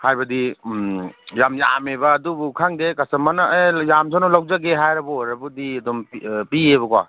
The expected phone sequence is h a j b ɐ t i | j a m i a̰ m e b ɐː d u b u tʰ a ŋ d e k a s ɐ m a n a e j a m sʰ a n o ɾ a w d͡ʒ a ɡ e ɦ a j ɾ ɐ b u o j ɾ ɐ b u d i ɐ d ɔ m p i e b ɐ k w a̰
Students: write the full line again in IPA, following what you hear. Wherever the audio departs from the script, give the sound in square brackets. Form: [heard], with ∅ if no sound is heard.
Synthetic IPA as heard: h a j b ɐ [d] i | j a m [j] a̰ m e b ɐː d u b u [kʰ] a ŋ d e k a s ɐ m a n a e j a m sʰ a n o [l] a w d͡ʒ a ɡ e ɦ a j ɾ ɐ b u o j ɾ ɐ b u d i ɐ d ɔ m p i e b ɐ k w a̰